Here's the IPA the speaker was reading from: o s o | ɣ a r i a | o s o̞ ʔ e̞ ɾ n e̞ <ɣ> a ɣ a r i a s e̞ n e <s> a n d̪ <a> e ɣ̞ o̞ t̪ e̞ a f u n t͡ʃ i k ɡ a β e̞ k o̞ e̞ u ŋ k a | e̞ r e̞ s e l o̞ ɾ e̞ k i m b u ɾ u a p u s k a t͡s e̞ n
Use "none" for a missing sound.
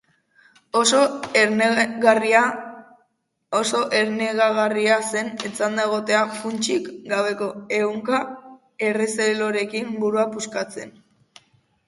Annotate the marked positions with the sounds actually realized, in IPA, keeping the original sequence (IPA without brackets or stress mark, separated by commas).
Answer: ɣ, t͡s, a